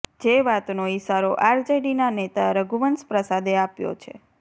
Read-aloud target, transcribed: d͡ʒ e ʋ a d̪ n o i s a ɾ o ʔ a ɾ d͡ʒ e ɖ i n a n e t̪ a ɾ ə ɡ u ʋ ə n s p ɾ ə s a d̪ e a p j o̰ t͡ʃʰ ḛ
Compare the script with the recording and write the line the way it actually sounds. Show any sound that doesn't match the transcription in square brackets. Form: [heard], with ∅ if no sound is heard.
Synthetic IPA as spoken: d͡ʒ e ʋ a [t̪] n o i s a ɾ o ʔ a ɾ d͡ʒ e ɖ i n a n e t̪ a ɾ ə ɡ u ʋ ə n s p ɾ ə s a d̪ e a p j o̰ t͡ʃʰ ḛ